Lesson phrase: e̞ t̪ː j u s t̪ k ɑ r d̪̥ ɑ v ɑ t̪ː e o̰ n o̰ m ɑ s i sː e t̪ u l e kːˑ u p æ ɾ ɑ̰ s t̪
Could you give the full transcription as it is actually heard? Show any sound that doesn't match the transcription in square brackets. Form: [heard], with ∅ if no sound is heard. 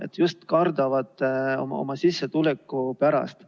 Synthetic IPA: e̞ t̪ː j u s t̪ k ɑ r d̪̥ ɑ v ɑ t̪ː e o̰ [m] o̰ m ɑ s i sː e t̪ u l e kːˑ u p æ ɾ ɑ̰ s t̪

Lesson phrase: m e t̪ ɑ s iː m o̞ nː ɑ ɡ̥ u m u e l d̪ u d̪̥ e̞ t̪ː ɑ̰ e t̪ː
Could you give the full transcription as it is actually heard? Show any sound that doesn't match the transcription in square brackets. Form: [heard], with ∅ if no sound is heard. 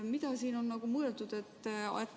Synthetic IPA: m [i] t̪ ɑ s iː [n] o̞ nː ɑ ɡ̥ u m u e l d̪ u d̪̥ e̞ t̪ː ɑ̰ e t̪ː

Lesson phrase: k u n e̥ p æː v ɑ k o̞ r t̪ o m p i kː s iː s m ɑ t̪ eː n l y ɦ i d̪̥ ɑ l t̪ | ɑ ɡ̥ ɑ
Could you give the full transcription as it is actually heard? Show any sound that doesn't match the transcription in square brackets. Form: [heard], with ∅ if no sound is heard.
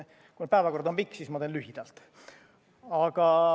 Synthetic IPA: k u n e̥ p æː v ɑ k o̞ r [d̪] o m p i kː s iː s m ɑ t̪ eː n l y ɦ i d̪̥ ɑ l t̪ | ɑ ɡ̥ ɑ

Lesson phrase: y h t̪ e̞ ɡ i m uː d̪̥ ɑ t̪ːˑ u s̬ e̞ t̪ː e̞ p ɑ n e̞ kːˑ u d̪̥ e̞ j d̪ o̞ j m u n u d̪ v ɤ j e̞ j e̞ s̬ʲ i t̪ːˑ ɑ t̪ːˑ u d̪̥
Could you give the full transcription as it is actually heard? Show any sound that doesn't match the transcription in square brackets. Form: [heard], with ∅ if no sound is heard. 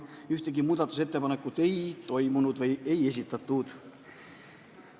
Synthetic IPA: y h t̪ e̞ ɡ i m uː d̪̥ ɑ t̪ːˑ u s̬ e̞ t̪ː e̞ p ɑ n e̞ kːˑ u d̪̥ e̞ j [t̪] o̞ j m u n u d̪ v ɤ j e̞ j e̞ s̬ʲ i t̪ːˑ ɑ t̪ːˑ u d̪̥

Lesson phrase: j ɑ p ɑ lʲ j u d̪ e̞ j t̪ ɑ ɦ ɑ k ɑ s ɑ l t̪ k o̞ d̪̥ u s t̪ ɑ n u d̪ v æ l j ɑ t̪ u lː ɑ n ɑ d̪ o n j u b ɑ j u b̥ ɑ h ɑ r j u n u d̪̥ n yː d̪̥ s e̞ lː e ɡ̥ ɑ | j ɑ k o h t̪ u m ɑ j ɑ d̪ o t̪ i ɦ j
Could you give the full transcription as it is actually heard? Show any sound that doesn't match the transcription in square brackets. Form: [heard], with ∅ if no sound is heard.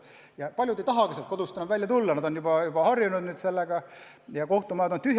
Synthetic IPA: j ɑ p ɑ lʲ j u d̪ e̞ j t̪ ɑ ɦ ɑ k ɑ s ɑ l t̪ k o̞ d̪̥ u s t̪ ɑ n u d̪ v æ l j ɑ t̪ u lː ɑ n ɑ d̪ o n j u b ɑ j u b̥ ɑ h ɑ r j u n u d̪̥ n yː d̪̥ s e̞ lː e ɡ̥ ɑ | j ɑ k o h t̪ u m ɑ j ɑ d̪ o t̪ [y] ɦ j

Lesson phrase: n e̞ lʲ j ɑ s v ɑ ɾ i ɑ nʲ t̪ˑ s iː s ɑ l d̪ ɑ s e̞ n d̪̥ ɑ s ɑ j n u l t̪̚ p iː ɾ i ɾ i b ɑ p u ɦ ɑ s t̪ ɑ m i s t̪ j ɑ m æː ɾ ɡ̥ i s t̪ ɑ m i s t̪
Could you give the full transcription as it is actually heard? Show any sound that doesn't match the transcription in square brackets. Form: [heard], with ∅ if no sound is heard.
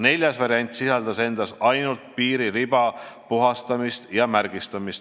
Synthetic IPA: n e̞ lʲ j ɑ s v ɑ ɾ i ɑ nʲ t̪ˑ s [i] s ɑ l d̪ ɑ s e̞ n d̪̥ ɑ s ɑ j n u l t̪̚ p iː ɾ i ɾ i b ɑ p u ɦ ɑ s t̪ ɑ m i s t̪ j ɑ m [æ] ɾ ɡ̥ i s t̪ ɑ m i s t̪

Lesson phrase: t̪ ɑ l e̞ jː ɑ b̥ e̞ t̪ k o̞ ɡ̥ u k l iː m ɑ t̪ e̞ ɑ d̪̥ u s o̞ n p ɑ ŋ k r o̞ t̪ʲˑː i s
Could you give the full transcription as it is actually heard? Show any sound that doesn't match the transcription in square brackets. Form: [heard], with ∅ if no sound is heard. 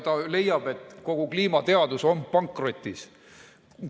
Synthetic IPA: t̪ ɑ l e̞ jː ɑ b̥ e̞ t̪ k o̞ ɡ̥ u k l iː m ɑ t̪ e̞ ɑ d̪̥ u s o̞ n p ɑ ŋ k r o̞ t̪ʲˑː i s

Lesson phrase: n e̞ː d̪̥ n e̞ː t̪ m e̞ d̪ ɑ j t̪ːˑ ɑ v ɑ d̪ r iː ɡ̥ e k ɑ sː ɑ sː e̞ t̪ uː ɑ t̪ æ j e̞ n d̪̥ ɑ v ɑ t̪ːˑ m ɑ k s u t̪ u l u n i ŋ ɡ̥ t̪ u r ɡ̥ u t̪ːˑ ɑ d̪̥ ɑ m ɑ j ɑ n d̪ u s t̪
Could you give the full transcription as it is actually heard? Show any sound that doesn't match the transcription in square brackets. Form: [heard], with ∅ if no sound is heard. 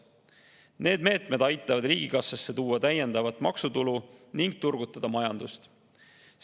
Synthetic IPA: n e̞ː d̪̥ [m] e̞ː t̪ m e̞ d̪ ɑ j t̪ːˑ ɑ v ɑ d̪ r iː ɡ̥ [i] k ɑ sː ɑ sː e̞ t̪ uː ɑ t̪ æ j e̞ n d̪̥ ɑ v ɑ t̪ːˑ m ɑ k s u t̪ u l u n i ŋ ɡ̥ t̪ u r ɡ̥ u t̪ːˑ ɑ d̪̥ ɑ m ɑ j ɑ n d̪ u s t̪

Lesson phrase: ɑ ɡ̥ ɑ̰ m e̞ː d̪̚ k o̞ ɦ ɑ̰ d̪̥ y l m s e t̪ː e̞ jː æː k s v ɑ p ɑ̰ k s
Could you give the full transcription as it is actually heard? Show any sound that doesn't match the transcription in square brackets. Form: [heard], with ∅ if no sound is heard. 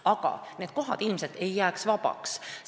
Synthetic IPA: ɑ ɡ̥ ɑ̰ [n] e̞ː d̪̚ k o̞ ɦ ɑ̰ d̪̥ [i] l m s e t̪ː e̞ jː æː k s v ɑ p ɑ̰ k s

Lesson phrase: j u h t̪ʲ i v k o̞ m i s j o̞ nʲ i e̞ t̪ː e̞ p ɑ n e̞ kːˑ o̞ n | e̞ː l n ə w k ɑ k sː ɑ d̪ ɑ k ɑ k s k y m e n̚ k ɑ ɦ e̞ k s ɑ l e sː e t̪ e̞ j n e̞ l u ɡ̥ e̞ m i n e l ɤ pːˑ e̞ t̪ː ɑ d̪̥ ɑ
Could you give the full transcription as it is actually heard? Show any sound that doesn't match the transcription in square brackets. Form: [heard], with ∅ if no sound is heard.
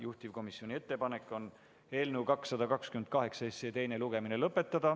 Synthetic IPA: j u h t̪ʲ i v k o̞ m i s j o̞ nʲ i e̞ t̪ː e̞ p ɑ n e̞ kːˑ o̞ n | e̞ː l n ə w k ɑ k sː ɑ d̪ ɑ k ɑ k s k y m e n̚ k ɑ ɦ e̞ k s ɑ [∅] e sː e t̪ e̞ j n e̞ l u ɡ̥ e̞ m i n e l ɤ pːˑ e̞ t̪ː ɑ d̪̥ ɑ

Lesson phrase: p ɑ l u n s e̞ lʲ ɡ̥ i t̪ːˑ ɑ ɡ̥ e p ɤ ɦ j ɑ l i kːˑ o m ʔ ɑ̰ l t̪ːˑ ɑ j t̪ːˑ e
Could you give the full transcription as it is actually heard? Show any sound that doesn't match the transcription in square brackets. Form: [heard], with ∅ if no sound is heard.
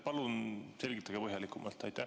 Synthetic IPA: p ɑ l u n s e̞ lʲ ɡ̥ i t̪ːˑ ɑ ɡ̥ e p ɤ ɦ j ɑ l i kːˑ [u] m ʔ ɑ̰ l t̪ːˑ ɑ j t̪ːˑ [æ]

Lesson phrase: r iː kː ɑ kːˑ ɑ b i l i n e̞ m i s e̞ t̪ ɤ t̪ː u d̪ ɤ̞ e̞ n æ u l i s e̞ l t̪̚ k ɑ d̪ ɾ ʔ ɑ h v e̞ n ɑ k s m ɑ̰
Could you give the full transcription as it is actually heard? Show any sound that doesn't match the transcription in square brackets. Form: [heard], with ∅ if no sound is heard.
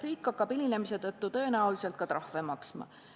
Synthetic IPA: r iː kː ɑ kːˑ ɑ b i l i n e̞ m i s e̞ t̪ ɤ t̪ː u [t̪] ɤ̞ e̞ n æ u l i s e̞ l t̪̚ k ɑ [t̪] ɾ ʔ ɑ h v e̞ [m] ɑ k s m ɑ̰

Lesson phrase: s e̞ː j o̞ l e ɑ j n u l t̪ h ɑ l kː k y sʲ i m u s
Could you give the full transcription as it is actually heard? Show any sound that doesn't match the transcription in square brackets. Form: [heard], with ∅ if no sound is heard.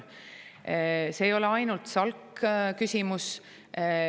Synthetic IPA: s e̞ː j o̞ l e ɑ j n u l t̪ [s] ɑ l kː k y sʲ i m u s

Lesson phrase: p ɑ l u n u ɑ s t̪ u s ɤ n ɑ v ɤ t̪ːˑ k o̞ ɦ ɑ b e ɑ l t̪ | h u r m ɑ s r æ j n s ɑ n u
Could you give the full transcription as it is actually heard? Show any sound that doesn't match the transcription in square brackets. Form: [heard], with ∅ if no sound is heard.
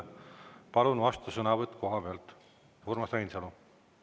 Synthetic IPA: p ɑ l u n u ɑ s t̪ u s ɤ n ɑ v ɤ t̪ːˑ k o̞ ɦ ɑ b e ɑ l t̪ | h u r m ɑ s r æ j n s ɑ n u

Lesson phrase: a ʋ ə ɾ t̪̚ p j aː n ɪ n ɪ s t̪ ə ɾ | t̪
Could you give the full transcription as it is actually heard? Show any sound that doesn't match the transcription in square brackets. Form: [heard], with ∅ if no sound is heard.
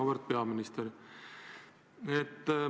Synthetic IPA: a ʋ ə ɾ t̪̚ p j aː [m] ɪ n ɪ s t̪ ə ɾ | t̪

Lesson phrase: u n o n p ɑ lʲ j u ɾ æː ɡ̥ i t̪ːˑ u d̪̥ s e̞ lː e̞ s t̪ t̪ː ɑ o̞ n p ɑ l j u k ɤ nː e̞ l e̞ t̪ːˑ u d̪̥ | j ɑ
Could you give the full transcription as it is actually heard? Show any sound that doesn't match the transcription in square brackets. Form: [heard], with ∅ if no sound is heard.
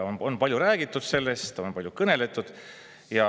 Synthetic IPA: [o] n o n p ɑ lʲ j u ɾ æː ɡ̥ i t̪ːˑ u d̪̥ s e̞ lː e̞ s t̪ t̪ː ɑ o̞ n p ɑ l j u k ɤ [n] e̞ l e̞ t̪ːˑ u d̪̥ | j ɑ

